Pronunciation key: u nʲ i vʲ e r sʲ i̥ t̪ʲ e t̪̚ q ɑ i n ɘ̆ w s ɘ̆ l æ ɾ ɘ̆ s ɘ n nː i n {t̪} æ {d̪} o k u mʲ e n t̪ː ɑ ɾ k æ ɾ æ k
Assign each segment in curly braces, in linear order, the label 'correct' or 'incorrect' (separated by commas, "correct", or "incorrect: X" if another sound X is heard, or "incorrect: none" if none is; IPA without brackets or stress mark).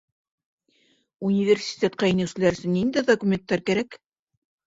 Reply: incorrect: d̪, correct